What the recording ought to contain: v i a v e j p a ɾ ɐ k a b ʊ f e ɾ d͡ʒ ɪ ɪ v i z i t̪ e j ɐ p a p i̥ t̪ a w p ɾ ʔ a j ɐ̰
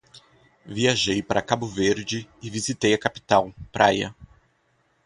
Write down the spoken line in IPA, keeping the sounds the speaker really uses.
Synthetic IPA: v i a ʒ e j p a ɾ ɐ k a b ʊ v e ɾ d͡ʒ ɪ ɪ v i z i t̪ e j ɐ k a p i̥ t̪ a w p ɾ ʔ a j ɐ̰